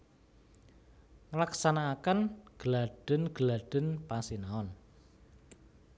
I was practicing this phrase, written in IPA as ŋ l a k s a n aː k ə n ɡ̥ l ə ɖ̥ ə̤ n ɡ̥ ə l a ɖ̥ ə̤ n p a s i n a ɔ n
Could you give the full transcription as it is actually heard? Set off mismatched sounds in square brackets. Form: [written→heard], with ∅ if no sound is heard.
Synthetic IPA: ŋ l a k s a n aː k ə n ɡ̥ l [ə→a] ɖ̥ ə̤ n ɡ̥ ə l a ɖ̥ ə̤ n p a s i n a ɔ n